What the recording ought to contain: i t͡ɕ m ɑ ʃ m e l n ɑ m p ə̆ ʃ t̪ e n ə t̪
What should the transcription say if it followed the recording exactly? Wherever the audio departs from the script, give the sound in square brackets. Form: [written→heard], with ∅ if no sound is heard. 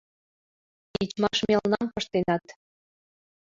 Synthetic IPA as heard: i t͡ɕ m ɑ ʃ m e l n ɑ m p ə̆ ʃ t̪ e n [ə→ɑ] t̪